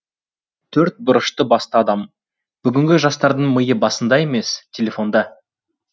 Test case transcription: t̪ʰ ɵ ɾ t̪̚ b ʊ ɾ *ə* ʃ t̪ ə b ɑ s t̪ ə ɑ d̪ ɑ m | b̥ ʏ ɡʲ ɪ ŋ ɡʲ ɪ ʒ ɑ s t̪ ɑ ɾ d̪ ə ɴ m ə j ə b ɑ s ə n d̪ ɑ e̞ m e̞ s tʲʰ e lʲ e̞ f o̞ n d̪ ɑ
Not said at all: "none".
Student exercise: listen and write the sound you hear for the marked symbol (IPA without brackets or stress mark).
ə